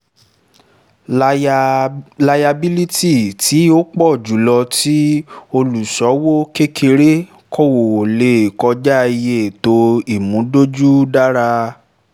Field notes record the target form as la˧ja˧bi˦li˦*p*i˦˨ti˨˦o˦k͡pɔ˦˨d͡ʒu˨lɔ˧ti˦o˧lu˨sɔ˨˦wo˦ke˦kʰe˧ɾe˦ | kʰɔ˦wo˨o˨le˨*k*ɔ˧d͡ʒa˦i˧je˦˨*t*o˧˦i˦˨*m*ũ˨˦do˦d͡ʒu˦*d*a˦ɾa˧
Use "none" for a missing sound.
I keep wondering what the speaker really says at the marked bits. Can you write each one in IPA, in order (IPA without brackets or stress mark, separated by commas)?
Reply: t, k, t, m, d